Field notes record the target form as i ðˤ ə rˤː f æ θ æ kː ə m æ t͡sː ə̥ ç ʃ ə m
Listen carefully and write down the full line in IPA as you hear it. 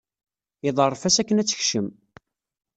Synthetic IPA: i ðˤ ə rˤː f æ s æ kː ə n æ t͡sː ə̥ ç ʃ ə m